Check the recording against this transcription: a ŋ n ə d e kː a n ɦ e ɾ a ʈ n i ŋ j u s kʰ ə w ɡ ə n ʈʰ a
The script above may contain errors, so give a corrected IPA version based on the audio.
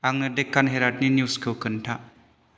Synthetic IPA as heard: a ŋ n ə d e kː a n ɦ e ɾ a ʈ n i n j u s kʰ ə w k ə n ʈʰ a